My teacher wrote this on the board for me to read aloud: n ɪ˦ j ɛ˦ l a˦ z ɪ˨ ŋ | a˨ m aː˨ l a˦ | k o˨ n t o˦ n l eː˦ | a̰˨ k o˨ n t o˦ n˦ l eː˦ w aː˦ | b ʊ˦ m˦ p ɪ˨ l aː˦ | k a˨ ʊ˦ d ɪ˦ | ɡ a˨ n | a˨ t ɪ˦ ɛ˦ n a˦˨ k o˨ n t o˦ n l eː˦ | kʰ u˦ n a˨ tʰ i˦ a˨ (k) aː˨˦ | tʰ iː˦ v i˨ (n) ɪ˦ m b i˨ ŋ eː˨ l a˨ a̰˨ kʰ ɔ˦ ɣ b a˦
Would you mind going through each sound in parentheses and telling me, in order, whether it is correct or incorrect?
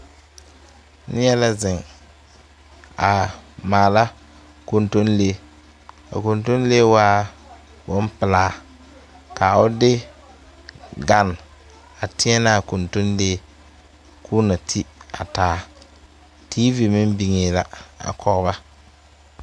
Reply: incorrect: t, incorrect: m

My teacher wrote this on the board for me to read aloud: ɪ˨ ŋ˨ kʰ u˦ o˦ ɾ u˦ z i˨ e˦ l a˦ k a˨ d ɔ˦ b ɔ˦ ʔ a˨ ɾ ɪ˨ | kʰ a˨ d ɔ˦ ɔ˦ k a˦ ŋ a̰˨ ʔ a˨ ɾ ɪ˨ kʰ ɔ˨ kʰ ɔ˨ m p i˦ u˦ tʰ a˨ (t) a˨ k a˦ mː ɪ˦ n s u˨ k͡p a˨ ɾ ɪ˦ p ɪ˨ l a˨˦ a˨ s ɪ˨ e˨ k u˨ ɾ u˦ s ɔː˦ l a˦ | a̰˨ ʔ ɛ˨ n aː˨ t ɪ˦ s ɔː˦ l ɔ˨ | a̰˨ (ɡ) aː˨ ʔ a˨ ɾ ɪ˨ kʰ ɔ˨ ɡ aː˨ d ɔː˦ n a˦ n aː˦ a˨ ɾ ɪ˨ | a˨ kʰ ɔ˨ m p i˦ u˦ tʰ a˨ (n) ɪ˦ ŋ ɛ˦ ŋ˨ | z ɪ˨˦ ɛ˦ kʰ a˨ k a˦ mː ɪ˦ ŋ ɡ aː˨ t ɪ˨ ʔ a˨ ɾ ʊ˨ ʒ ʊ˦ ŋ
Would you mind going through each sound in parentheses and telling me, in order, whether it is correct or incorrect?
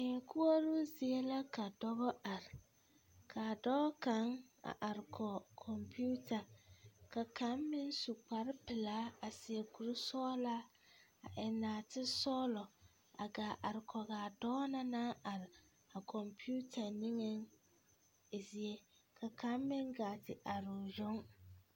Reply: incorrect: k, correct, correct

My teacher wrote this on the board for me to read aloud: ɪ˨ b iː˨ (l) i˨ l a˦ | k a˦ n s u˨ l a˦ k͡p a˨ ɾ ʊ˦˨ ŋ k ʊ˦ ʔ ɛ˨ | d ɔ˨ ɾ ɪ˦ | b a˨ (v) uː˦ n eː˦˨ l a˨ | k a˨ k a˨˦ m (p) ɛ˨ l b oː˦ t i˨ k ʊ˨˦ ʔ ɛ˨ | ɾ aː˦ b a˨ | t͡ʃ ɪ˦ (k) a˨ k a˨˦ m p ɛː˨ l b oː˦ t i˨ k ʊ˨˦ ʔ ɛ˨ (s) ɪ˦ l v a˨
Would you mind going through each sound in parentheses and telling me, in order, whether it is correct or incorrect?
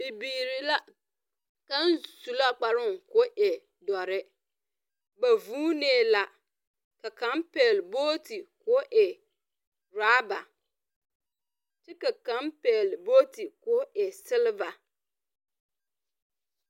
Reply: incorrect: ɾ, correct, correct, correct, correct

